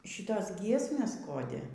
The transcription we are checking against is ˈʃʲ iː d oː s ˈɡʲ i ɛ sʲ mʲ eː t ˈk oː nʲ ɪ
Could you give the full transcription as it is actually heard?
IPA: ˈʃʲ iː t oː s ˈɡʲ i ɛ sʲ mʲ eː s ˈk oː dʲ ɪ